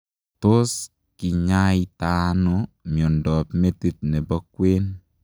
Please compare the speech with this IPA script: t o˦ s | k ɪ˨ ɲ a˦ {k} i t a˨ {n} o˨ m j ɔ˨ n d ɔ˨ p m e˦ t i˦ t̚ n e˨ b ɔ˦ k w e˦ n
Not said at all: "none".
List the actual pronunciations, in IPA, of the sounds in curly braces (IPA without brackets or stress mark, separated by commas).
none, n